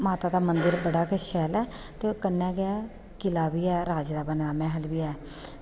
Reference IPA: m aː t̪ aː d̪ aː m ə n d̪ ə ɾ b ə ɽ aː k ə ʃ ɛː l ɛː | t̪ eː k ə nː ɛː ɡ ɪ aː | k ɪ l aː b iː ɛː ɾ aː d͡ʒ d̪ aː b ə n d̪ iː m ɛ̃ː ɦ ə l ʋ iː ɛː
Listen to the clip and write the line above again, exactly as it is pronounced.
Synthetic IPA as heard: m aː t̪ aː d̪ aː m ə n d̪ ə ɾ b ə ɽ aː k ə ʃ ɛː l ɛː | t̪ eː k ə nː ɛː ɡ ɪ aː | k ɪ l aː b iː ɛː ɾ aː d͡ʒ d̪ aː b ə n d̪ aː m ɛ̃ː ɦ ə l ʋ iː ɛː